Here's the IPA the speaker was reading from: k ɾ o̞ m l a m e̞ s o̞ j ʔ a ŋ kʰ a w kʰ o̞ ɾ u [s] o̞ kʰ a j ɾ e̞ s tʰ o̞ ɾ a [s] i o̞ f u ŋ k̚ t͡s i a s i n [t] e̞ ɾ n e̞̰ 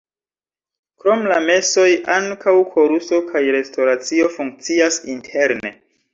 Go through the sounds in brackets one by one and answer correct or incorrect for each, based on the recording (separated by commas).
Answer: correct, incorrect, incorrect